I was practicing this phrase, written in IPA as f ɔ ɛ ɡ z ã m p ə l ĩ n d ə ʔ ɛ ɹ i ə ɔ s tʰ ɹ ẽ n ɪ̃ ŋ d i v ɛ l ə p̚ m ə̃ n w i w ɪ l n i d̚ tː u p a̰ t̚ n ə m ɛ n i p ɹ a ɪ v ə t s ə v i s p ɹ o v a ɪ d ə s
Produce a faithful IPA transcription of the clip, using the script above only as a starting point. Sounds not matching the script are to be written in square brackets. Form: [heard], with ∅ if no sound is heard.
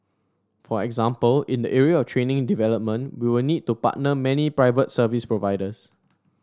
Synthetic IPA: f ɔ ɛ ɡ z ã m p ə l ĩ n d ə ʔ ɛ ɹ i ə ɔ [f] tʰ ɹ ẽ n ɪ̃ ŋ d i v ɛ l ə p̚ m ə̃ n w i w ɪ l n i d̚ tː u p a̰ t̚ n ə m ɛ n i p ɹ a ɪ v ə t s ə v i s p ɹ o v a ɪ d ə s